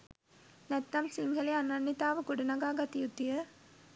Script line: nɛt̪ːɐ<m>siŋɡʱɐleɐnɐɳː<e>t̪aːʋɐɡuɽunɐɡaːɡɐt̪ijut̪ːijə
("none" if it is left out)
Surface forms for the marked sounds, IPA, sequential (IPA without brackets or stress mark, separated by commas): m, i